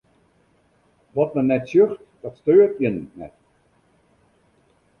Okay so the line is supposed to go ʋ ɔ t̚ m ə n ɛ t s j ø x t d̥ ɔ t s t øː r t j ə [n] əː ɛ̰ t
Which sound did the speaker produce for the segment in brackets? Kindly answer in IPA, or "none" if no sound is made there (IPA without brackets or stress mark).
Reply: n